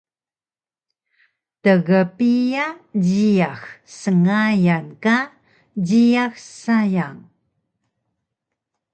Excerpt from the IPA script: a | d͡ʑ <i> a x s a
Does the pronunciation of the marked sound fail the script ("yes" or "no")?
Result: no